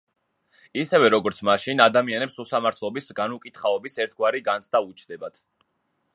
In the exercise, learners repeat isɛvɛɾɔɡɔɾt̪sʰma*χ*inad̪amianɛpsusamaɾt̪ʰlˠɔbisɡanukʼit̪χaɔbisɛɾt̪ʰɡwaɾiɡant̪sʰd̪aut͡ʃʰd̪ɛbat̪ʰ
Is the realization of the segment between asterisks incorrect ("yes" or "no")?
yes